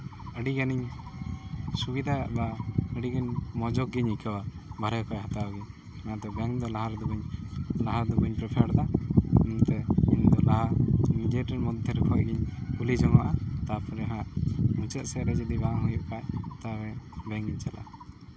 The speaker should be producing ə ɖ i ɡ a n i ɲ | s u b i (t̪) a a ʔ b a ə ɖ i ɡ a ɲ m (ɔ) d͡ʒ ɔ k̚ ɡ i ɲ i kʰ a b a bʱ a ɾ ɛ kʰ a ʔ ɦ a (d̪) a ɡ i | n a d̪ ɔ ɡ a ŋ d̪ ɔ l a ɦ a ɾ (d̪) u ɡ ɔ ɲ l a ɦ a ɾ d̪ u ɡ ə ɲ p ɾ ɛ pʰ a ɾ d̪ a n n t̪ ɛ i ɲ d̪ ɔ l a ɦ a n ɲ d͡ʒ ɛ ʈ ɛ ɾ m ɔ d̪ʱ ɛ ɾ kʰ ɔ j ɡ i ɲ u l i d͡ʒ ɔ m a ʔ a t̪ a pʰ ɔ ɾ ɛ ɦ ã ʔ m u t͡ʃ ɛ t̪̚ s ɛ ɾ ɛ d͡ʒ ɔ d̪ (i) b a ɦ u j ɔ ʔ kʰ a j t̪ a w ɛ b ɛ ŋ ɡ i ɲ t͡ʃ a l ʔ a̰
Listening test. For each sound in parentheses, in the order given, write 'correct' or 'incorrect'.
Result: incorrect: d̪, correct, incorrect: t̪, correct, correct

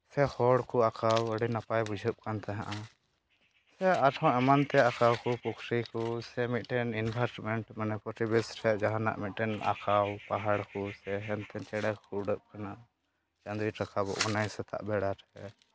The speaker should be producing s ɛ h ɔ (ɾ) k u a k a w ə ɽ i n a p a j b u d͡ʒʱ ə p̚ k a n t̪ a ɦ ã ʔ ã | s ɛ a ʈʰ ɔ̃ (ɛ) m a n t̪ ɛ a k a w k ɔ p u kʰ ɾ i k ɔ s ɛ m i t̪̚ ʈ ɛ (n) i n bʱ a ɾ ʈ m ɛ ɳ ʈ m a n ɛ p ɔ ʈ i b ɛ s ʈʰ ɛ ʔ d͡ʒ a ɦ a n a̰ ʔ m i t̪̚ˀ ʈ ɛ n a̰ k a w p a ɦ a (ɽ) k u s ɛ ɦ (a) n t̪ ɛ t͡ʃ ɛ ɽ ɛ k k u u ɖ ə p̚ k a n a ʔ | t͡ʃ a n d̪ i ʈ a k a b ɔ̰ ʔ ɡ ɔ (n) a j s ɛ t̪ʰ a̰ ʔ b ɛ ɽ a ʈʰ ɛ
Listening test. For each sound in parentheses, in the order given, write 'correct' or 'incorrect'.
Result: incorrect: ɽ, correct, correct, correct, incorrect: ɛ, correct

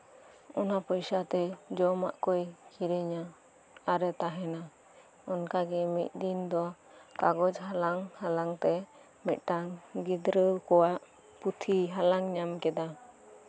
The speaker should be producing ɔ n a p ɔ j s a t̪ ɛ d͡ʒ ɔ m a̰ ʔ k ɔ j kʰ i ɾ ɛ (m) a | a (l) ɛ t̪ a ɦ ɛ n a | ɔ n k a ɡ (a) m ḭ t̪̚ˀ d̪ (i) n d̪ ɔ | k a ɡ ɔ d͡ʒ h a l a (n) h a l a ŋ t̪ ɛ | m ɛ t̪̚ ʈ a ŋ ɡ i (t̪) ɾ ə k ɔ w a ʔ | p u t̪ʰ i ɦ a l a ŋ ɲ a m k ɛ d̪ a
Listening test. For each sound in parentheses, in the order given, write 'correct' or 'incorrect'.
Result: incorrect: ɲ, incorrect: ɾ, incorrect: ɛ, correct, incorrect: ŋ, incorrect: d̪

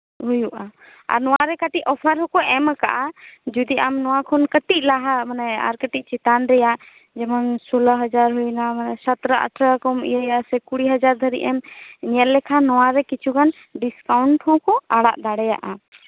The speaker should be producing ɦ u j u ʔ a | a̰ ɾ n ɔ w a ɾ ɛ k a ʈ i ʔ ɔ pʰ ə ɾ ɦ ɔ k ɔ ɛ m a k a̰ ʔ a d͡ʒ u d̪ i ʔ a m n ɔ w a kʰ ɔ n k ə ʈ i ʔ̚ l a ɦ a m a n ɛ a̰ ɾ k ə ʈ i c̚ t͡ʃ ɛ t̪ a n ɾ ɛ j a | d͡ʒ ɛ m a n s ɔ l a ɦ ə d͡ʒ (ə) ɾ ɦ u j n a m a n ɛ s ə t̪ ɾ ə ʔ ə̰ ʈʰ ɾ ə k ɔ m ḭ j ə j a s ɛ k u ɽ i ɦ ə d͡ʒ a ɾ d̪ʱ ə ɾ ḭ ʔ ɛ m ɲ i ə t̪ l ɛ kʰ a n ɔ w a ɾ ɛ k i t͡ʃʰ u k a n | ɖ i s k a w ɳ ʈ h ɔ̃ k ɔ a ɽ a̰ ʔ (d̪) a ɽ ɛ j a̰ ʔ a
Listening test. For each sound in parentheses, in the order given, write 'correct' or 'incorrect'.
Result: incorrect: a, correct

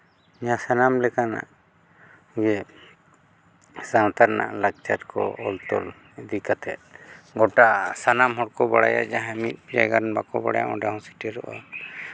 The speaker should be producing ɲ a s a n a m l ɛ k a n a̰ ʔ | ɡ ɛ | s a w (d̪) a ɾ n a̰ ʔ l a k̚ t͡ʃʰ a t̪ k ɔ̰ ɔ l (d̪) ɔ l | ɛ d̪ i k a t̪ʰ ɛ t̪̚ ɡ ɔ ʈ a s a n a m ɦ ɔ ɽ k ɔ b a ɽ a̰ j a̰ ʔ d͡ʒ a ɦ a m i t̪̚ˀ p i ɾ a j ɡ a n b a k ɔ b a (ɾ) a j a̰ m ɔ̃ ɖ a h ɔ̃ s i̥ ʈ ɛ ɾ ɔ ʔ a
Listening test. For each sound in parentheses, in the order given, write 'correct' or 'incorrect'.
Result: incorrect: t̪, incorrect: t̪, incorrect: ɽ

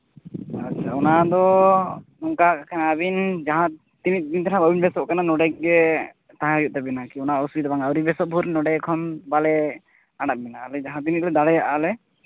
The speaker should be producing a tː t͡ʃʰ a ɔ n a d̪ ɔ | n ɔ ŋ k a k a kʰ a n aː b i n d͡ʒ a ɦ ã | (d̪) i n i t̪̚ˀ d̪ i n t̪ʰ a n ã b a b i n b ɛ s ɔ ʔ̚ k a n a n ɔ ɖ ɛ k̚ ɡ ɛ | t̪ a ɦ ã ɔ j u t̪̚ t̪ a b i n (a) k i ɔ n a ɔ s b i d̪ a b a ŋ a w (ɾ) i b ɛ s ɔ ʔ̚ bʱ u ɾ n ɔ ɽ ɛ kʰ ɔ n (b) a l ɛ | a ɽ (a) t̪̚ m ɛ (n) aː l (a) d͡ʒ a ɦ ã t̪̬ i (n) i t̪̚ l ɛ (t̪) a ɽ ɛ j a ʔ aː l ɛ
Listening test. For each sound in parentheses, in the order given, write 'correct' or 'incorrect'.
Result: incorrect: t̪, correct, correct, correct, correct, correct, incorrect: ɛ, correct, incorrect: d̪

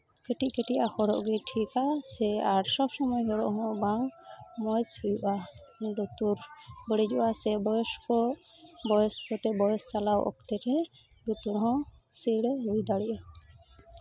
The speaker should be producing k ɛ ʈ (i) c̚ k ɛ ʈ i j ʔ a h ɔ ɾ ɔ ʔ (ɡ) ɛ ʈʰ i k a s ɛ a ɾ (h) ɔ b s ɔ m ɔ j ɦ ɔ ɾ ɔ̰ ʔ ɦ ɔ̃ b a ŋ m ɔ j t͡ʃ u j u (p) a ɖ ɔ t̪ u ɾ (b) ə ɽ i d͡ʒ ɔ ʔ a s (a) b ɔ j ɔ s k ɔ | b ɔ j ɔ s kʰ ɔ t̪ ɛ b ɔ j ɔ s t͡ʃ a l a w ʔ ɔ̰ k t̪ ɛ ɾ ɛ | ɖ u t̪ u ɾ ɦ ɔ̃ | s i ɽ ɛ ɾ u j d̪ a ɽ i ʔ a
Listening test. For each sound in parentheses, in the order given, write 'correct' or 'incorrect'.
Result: correct, correct, incorrect: s, incorrect: ʔ, correct, incorrect: ɛ

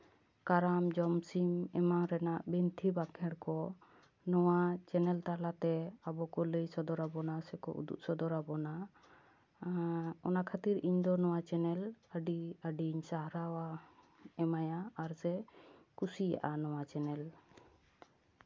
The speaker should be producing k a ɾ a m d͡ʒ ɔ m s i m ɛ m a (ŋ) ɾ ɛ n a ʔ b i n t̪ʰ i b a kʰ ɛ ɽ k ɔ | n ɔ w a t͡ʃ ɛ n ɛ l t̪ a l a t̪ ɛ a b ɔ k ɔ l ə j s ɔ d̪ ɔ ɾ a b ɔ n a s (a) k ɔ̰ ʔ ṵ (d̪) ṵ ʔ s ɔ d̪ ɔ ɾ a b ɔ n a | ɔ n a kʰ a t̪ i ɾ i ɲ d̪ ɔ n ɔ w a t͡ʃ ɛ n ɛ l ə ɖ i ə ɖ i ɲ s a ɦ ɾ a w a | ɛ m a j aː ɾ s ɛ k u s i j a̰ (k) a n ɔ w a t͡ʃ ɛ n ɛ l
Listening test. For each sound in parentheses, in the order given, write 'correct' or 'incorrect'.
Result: correct, incorrect: ɛ, correct, incorrect: ʔ

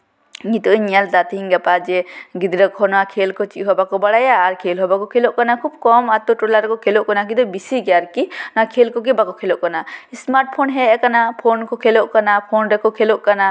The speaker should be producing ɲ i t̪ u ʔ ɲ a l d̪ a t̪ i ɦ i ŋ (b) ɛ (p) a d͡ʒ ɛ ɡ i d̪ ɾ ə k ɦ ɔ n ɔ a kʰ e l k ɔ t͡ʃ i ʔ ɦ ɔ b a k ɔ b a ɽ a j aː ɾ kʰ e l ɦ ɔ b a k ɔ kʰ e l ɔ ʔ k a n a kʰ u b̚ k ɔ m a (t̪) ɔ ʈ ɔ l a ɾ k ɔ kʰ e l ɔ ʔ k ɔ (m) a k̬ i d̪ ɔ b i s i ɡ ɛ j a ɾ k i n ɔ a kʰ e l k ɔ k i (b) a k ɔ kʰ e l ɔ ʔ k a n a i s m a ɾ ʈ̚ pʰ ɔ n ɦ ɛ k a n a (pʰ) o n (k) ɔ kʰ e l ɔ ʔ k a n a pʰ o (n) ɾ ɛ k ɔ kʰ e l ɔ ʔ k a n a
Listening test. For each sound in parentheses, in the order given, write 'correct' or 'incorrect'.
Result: incorrect: ɡ, correct, correct, incorrect: n, correct, correct, correct, correct

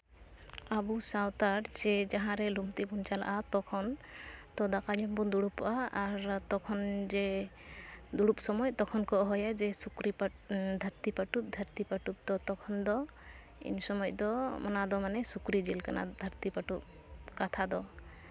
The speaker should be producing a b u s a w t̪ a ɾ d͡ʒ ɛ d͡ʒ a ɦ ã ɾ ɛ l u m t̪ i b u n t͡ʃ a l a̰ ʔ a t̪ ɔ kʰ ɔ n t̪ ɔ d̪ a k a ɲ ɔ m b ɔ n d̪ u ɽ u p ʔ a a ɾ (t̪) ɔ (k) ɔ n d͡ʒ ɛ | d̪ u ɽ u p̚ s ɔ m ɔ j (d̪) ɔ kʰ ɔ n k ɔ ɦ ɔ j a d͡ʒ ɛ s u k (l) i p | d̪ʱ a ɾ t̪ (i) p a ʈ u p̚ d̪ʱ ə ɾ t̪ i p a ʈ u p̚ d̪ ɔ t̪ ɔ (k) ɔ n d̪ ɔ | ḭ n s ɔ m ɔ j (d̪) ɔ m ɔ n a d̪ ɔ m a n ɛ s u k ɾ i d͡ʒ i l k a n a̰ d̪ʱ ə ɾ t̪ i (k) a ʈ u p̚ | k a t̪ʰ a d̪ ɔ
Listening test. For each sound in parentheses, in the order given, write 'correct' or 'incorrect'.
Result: correct, incorrect: kʰ, incorrect: t̪, incorrect: ɾ, correct, incorrect: kʰ, correct, incorrect: p

